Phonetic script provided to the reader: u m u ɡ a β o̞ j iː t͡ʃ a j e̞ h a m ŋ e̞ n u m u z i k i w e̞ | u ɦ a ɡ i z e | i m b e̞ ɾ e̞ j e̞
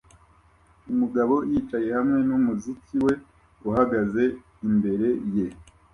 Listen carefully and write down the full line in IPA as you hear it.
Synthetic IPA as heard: u m u ɡ a β o̞ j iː t͡ʃ a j e̞ h a m ŋ e̞ n u m u z i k i w e̞ | u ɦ a ɡ a z e | i m b e̞ ɾ e̞ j e̞